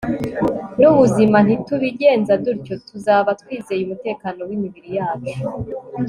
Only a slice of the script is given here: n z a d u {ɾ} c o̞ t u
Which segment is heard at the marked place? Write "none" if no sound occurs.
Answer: ɾ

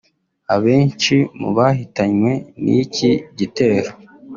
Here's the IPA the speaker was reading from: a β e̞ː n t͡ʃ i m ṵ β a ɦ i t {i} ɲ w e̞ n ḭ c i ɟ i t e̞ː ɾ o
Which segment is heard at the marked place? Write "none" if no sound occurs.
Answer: a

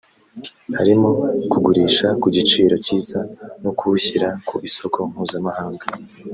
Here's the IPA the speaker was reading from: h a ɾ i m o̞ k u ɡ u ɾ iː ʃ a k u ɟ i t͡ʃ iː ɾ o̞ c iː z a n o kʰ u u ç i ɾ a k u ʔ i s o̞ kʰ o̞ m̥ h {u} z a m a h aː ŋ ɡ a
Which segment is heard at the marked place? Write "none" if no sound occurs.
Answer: uː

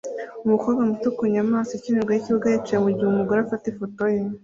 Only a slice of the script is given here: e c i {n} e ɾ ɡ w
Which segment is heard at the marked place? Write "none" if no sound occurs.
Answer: n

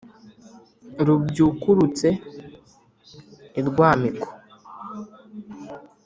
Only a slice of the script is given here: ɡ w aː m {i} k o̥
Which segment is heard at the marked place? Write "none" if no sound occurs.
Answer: i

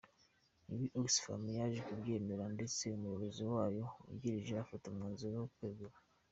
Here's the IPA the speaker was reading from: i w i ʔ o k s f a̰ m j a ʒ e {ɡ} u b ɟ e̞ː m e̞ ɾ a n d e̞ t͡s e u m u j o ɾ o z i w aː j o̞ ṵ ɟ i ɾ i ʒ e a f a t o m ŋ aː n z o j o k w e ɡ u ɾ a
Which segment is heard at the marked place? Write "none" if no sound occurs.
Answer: k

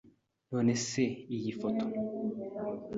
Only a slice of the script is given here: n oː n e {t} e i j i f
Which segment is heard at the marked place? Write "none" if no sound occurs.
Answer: s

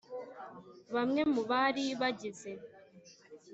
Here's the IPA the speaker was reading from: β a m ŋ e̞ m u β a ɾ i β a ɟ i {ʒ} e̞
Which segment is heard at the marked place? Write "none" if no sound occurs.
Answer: z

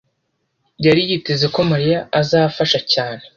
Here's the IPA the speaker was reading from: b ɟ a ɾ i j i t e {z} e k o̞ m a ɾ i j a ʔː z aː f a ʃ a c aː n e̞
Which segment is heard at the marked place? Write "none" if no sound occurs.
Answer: z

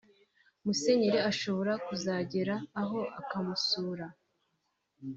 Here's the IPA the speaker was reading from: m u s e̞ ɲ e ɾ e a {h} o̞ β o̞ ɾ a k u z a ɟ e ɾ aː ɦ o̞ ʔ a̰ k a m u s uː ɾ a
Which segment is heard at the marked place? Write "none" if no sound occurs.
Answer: ʃ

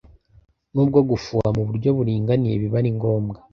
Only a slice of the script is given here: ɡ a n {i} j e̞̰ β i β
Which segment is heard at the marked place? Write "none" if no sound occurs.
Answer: i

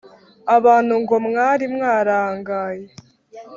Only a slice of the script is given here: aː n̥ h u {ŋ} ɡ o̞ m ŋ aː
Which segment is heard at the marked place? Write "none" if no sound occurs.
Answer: ŋ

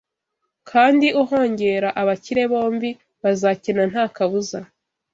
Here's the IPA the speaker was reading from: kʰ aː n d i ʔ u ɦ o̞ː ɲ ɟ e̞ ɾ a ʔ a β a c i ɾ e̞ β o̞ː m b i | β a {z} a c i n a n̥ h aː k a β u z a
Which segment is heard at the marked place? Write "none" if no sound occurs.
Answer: z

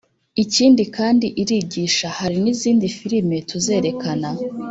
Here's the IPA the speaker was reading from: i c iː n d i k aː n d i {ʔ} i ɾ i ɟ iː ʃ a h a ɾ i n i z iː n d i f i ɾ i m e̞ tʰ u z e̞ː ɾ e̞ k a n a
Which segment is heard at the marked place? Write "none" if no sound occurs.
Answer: ʔ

